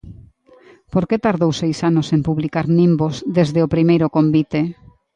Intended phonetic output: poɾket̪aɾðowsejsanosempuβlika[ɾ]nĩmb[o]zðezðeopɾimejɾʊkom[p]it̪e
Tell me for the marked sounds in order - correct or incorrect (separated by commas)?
correct, correct, incorrect